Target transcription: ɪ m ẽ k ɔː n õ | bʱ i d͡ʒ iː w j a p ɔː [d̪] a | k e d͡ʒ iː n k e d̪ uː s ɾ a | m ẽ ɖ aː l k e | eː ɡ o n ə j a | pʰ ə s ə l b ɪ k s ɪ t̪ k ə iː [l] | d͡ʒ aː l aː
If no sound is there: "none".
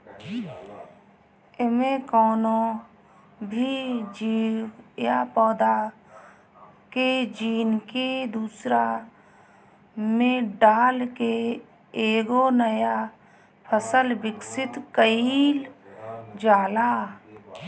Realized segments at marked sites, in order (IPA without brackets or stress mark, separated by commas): d̪, l